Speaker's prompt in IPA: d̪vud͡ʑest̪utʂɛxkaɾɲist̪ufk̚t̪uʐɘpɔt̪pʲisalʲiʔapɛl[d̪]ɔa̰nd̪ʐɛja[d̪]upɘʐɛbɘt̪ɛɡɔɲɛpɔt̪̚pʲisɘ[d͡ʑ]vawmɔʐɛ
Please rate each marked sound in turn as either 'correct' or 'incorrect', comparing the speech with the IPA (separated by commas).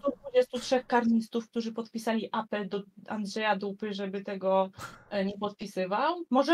correct, correct, incorrect